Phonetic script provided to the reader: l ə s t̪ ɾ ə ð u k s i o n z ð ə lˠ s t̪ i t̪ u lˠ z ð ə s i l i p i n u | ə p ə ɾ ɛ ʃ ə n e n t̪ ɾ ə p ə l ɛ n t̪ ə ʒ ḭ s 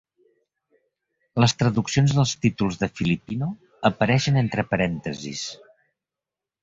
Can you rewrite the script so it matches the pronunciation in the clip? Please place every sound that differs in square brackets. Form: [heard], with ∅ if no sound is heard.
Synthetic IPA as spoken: l ə s t̪ ɾ ə ð u k s i o n z ð ə lˠ s t̪ i t̪ u lˠ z ð ə [f] i l i p i n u | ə p ə ɾ ɛ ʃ ə n e n t̪ ɾ ə p ə [ɾ] ɛ n t̪ ə [z] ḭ s